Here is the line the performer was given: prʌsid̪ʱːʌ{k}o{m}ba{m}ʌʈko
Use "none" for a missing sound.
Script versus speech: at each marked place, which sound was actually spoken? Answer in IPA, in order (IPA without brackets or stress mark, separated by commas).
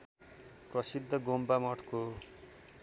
ɡ, m, m